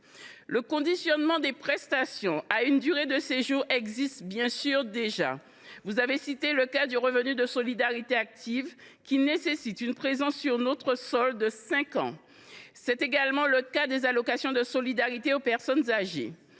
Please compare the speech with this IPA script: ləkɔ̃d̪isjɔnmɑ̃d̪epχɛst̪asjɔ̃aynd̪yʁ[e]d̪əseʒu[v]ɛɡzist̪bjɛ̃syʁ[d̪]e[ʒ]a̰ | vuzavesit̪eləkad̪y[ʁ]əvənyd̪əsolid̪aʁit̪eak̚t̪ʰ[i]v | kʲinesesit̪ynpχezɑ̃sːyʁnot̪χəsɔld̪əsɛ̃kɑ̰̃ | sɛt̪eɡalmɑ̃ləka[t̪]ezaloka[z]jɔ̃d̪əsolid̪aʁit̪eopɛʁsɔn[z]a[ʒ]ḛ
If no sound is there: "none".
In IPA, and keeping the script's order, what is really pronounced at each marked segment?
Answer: e, ʁ, d̪, ʒ, ʁ, i, d̪, s, z, ʒ

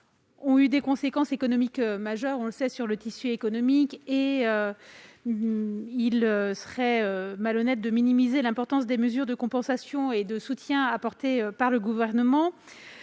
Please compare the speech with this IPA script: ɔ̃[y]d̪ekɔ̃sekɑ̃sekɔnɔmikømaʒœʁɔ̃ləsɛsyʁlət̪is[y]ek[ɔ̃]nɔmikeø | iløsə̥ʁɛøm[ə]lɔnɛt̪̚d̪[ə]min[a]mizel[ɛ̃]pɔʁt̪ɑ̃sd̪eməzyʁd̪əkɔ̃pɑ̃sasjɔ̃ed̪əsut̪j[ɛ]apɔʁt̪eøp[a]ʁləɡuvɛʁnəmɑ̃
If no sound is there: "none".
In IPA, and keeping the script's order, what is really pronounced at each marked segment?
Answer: y, y, ɔ, a, ə, i, ɛ̃, ɛ̃, a

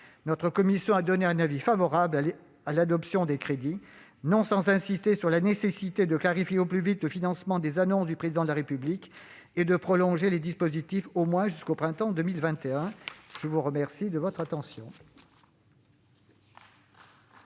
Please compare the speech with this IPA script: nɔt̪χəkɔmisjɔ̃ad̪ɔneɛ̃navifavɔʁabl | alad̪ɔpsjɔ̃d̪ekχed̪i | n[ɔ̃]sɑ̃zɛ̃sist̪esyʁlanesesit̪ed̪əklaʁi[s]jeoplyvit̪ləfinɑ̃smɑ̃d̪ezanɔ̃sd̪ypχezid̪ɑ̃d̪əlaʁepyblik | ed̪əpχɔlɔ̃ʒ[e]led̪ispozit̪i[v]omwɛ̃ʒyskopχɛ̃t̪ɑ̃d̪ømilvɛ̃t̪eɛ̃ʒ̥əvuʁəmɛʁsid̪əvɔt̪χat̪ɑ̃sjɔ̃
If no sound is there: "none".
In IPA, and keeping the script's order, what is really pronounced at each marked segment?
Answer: ɔ̃, f, e, f

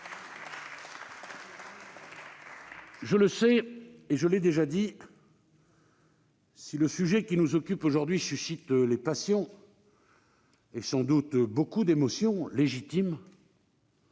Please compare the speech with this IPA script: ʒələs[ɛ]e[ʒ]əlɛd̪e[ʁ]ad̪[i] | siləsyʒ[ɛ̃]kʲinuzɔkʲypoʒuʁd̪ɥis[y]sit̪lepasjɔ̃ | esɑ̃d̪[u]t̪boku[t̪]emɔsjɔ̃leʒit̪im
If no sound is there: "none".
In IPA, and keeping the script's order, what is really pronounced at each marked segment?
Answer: ɛ, ʒ, ʒ, i, ɛ, y, u, d̪

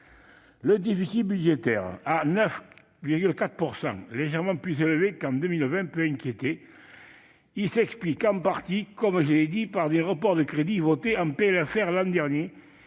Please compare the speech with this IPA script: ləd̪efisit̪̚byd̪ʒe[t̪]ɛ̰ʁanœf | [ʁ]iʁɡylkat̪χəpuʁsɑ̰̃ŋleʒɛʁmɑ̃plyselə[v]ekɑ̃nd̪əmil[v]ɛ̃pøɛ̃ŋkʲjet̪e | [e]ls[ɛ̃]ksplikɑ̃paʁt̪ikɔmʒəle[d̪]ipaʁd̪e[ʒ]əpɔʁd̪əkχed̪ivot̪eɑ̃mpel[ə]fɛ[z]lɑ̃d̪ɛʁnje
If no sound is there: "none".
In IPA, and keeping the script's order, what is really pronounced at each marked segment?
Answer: t̪, v, v, v, i, ɛ, d̪, ʁ, a, ʁ

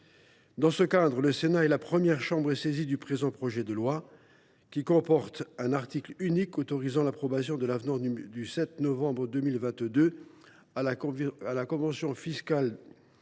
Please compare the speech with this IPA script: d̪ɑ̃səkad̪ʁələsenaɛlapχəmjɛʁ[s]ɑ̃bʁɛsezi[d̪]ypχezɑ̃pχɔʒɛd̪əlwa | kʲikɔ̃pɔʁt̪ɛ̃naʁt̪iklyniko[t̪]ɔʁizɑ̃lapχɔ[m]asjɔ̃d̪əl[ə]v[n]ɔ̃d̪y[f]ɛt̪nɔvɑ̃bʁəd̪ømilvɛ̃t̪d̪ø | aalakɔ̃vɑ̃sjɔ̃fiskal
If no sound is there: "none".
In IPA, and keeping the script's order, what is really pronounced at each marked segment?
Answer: ʃ, d̪, t̪, b, a, n, s

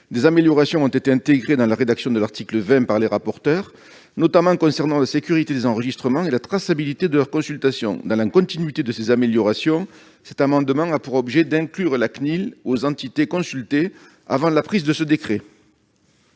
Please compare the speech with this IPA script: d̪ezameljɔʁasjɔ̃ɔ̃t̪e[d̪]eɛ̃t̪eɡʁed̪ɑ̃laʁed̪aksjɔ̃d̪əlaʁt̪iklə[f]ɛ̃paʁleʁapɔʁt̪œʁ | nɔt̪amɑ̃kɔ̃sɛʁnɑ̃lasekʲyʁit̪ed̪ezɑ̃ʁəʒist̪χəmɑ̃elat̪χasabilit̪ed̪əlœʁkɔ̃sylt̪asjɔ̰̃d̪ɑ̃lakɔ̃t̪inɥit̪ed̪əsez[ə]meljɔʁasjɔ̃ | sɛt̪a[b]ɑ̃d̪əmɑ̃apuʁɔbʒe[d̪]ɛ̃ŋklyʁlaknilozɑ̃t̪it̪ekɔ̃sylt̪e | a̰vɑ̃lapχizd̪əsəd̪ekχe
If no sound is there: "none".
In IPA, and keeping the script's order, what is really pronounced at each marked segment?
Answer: t̪, v, a, m, d̪

